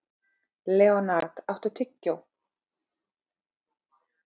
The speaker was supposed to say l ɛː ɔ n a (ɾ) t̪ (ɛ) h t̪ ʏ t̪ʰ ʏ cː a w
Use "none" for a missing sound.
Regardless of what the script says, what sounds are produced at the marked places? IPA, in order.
ɾ, a

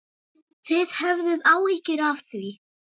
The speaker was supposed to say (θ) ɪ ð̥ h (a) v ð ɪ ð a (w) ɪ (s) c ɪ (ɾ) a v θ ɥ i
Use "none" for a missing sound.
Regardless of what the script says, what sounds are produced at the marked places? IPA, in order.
θ, ɛ, w, h, ɾ

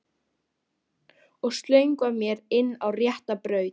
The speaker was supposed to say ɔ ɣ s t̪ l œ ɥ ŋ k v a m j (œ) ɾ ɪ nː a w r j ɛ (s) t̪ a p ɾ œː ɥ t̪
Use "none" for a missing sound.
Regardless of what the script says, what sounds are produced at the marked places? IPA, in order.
ɛ, h

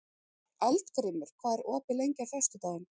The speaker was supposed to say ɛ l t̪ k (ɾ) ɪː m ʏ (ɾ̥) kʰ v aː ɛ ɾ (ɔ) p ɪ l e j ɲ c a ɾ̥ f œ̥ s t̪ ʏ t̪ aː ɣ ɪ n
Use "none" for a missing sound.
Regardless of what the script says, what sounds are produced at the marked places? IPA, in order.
ɾ, ɾ̥, ɔː

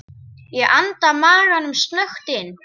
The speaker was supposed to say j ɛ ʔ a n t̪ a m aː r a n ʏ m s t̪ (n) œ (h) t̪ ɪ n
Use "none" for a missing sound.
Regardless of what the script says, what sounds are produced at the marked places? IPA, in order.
n, x

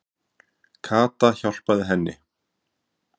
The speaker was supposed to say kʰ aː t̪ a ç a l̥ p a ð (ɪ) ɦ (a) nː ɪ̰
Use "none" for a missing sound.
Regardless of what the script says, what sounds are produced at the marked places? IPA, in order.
ɪ, ɛ

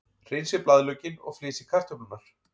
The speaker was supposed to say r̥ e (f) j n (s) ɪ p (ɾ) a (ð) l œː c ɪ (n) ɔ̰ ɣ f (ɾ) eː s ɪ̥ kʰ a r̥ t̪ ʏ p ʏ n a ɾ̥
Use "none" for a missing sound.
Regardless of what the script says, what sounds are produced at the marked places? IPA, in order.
none, s, l, ð, n, l

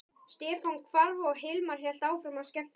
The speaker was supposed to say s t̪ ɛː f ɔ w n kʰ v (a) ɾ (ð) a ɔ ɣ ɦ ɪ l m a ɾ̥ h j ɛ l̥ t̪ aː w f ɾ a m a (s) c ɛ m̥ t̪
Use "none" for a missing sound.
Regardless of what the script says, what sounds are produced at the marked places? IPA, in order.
a, v, s

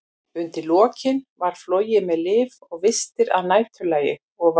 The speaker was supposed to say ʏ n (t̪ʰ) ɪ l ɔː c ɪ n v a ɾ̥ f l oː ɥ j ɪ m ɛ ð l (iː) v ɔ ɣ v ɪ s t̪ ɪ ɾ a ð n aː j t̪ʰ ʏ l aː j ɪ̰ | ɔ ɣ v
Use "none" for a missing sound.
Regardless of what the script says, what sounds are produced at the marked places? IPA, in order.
t̪, ɪː

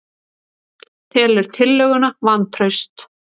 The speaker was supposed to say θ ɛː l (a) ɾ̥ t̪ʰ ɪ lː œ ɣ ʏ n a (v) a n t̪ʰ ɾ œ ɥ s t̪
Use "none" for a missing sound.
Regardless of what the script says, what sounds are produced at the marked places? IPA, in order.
ɛ, v

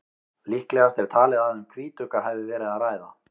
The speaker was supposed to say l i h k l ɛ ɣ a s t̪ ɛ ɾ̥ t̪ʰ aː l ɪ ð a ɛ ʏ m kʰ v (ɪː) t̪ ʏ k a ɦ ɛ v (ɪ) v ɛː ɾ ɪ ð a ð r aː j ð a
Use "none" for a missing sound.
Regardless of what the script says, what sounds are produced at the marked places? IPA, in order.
iː, ɪ

